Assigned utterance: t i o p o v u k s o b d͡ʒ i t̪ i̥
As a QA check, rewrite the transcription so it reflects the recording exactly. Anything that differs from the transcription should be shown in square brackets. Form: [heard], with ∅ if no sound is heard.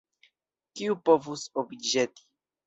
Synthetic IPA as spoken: [k] i [u] p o v u [∅] s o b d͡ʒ [e] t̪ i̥